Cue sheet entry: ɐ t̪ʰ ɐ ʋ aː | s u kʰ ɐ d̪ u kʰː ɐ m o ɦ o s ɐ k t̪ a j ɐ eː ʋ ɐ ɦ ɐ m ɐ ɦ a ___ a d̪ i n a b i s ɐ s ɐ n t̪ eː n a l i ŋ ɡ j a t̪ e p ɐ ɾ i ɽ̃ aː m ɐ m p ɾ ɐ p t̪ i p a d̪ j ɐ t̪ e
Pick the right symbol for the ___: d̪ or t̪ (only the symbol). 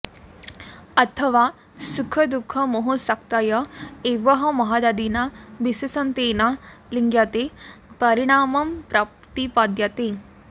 d̪